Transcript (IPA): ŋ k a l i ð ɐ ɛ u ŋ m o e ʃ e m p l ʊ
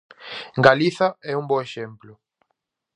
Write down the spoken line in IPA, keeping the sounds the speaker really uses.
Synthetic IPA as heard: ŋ ɡ a l i θ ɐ ɛ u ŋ b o e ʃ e m p l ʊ